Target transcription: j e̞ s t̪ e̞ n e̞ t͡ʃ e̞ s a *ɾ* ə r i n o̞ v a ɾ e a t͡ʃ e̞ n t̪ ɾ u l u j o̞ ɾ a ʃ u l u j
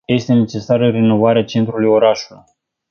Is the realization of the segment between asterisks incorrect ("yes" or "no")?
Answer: no